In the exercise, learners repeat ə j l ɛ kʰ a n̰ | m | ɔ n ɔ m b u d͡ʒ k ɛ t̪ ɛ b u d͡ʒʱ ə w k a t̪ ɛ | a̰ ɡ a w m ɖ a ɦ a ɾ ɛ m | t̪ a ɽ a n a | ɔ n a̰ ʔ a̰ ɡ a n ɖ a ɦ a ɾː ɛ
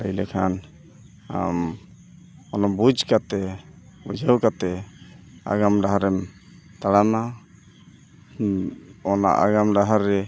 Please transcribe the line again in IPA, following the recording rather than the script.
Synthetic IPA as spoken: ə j l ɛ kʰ a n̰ | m | ɔ n ɔ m b u d͡ʒ k a t̪ ɛ b u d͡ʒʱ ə w k a t̪ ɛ | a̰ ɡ a m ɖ a ɦ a ɾ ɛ m | t̪ a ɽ a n a | ɔ n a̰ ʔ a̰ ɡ a m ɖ a ɦ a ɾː ɛ